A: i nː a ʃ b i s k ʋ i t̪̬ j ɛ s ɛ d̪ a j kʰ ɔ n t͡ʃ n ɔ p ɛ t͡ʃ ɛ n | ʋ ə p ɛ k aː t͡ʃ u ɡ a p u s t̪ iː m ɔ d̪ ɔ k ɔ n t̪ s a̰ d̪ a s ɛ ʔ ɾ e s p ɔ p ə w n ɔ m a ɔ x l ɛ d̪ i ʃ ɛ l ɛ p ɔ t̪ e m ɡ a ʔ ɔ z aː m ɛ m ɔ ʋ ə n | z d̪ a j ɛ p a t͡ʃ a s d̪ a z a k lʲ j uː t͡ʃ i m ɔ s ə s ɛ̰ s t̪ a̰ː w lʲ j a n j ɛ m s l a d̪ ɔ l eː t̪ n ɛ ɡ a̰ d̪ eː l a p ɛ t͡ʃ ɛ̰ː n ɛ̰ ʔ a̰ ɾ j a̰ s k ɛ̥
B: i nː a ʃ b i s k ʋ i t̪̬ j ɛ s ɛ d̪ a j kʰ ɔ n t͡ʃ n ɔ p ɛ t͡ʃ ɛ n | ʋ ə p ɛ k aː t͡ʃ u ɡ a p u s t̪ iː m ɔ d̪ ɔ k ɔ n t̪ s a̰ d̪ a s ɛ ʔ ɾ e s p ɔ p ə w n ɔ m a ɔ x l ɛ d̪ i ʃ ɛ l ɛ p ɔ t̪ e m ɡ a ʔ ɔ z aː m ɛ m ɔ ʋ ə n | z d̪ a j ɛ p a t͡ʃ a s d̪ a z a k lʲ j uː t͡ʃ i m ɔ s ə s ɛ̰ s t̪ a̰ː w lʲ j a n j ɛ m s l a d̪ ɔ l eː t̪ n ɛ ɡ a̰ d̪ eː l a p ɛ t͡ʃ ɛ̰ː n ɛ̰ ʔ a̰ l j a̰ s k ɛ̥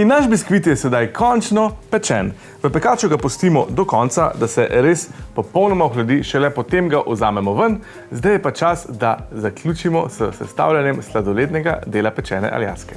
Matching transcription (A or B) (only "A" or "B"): B